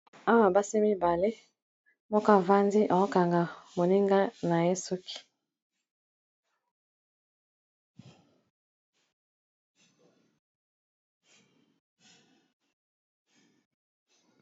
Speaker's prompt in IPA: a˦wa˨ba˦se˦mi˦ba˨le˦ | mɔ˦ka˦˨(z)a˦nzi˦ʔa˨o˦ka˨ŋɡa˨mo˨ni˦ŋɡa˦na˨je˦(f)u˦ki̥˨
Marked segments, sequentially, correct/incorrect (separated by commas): incorrect, incorrect